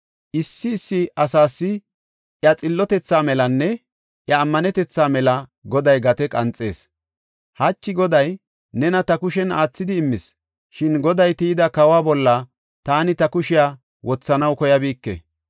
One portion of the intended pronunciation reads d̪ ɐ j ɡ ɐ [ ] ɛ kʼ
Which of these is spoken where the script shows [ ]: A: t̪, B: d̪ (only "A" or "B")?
A